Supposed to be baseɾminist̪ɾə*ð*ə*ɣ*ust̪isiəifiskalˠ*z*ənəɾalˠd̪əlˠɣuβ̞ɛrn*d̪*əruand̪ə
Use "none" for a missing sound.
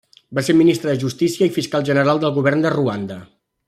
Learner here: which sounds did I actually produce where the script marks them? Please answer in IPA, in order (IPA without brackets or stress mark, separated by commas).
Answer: ð, ʒ, ʒ, d̪